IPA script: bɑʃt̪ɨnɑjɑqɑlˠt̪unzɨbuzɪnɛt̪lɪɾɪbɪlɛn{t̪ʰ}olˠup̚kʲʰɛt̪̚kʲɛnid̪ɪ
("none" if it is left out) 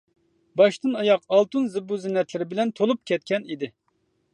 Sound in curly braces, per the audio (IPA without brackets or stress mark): t̪ʰ